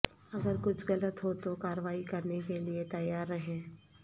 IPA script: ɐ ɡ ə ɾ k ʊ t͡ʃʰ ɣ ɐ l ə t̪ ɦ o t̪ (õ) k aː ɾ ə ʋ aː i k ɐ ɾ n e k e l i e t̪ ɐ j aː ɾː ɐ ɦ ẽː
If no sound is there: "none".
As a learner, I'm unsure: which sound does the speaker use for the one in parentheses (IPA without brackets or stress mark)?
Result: o